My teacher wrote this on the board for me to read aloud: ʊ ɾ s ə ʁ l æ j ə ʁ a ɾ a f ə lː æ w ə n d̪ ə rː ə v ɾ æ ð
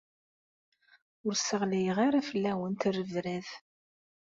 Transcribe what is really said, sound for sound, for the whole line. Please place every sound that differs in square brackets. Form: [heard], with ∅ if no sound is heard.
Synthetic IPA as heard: ʊ ɾ s ə ʁ l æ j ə ʁ a ɾ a f ə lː æ w ə n [t̪] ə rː ə v ɾ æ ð